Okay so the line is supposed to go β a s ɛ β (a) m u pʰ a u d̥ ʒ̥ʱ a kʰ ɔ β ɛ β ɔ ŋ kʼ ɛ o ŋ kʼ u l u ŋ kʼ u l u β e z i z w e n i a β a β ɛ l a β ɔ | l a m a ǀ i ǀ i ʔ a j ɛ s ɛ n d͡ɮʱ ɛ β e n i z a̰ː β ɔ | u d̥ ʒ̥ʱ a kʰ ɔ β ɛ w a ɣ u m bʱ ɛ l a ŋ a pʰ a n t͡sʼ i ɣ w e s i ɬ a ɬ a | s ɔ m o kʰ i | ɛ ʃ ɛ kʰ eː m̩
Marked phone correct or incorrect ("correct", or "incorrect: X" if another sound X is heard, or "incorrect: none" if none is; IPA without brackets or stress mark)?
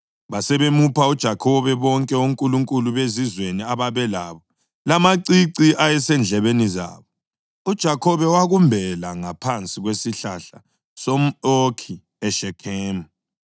incorrect: e